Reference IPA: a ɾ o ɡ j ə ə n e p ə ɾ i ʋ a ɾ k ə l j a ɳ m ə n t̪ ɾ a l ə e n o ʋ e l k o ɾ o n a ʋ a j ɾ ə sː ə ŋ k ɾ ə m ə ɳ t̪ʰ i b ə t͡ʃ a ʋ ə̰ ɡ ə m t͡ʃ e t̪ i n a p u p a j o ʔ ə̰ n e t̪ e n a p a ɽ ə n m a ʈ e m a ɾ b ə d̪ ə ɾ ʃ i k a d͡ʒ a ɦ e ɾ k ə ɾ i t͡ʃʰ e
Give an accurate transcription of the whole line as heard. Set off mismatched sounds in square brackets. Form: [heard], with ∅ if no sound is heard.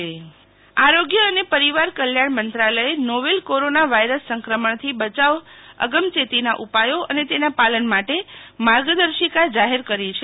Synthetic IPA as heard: a ɾ o ɡ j ə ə n e p ə ɾ i ʋ a ɾ k ə l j a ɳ m ə n t̪ ɾ a l ə e n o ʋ e l k o ɾ o n a ʋ a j ɾ ə sː ə ŋ k ɾ ə m ə ɳ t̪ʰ i b ə t͡ʃ a ʋ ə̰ ɡ ə m t͡ʃ e t̪ i n a [ʔ] u p a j o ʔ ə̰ n e t̪ e n a p a [l] ə n m a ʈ e m a ɾ [ɡ] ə d̪ ə ɾ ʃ i k a d͡ʒ a ɦ e ɾ k ə ɾ i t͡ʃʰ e